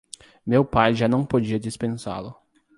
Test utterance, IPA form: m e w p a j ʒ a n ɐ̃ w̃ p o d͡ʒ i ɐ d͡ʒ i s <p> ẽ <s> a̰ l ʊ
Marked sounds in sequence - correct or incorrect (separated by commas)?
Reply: correct, correct